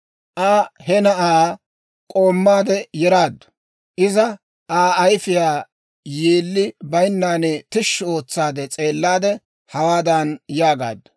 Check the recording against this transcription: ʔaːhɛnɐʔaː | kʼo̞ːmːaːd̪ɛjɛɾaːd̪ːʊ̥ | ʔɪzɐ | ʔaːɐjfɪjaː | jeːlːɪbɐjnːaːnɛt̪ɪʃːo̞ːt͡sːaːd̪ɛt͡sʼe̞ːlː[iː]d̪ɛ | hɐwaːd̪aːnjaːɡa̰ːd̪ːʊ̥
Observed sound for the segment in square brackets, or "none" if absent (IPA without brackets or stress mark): aː